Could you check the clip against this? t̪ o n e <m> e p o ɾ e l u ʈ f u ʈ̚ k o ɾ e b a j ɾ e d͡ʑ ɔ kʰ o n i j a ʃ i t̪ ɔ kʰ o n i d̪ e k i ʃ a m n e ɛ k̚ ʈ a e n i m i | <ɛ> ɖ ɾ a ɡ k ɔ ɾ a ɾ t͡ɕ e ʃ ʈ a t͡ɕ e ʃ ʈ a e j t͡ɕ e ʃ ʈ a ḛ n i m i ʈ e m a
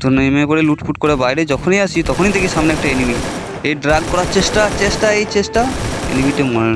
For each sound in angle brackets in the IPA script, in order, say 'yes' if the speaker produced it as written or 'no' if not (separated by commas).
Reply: yes, no